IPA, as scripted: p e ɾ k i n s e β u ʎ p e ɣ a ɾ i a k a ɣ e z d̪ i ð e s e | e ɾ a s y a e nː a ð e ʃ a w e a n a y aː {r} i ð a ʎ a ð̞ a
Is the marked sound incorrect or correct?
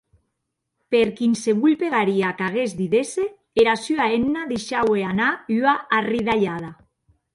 correct